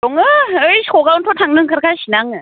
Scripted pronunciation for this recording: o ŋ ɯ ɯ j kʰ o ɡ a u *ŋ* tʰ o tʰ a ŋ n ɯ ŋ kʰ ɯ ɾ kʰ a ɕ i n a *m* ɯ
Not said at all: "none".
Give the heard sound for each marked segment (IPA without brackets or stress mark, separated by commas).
n, ŋ